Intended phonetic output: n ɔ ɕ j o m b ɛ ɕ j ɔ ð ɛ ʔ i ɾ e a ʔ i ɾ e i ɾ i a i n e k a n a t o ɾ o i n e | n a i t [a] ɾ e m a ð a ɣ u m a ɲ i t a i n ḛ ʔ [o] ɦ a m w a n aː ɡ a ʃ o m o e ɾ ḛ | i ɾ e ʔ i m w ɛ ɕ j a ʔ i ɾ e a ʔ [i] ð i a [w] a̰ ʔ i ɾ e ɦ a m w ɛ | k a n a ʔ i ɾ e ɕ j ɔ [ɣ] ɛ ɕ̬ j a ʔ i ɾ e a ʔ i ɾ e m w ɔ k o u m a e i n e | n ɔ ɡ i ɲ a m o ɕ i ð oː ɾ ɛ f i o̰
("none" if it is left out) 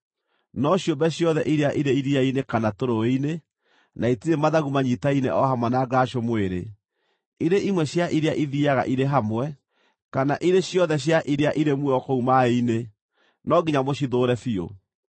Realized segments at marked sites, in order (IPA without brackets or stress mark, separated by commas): i, ɔ, i, ɣ, ð